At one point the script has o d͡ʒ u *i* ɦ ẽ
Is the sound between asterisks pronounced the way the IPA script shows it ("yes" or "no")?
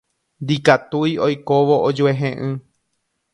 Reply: no